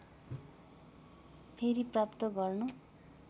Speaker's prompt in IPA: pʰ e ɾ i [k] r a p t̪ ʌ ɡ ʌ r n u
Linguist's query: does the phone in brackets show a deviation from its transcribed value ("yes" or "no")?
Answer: yes